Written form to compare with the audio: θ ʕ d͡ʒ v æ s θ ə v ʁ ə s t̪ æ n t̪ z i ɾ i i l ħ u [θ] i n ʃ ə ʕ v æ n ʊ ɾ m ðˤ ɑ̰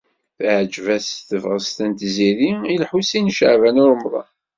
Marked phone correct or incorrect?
incorrect